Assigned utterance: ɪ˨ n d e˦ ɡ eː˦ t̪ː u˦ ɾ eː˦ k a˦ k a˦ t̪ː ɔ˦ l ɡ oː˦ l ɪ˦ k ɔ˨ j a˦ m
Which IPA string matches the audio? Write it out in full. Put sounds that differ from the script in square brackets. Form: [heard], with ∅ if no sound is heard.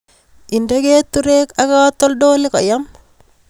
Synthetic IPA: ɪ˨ n d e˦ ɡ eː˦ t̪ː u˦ ɾ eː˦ k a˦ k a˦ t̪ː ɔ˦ l [d] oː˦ l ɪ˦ k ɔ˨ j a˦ m